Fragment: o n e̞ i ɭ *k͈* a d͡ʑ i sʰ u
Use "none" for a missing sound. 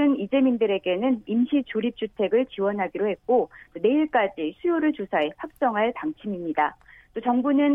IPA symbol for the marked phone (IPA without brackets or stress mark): k͈